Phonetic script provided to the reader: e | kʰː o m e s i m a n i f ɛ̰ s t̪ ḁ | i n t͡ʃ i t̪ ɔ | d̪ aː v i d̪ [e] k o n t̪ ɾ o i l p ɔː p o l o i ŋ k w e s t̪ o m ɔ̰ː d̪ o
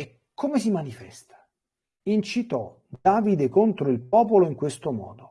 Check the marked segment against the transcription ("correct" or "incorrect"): correct